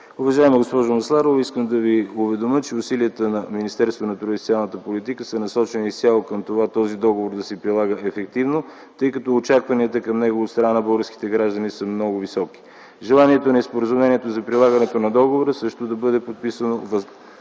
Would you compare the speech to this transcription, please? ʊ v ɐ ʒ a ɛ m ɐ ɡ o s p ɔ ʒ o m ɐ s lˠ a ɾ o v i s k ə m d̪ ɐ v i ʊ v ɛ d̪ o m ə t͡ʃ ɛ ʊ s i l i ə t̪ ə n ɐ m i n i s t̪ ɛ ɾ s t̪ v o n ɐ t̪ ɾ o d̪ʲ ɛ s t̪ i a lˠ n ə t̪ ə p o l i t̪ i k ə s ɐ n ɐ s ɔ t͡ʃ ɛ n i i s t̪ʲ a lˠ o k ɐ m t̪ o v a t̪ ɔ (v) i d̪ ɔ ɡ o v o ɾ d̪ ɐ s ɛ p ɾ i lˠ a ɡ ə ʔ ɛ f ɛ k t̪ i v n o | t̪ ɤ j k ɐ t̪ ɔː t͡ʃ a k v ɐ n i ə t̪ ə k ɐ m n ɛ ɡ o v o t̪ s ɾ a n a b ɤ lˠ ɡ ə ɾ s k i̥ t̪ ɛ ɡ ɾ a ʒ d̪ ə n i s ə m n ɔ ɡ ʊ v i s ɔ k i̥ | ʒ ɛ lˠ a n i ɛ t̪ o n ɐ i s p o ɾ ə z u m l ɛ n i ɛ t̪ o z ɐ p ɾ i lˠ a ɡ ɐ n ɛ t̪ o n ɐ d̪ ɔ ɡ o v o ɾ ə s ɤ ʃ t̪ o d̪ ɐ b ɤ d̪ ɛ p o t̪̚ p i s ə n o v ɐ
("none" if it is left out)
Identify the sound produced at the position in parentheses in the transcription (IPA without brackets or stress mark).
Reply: z